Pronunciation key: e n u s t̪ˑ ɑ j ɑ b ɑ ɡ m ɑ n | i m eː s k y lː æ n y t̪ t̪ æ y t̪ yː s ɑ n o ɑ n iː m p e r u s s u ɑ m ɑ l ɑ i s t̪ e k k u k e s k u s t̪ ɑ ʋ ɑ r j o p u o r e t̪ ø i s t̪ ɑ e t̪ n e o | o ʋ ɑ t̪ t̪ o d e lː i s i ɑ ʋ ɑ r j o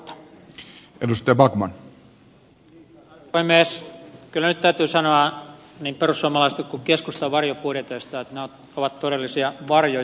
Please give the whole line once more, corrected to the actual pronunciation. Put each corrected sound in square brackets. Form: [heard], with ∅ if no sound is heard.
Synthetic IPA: e [d] u s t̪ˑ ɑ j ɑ b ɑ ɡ m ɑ n | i m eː s k y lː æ n y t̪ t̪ æ y t̪ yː s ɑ n o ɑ n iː m p e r u s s u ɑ m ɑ l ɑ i s t̪ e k k u k e s k u s t̪ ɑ ʋ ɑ r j o p u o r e t̪ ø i s t̪ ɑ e t̪ n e o | o ʋ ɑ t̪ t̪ o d e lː i s i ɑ ʋ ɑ r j o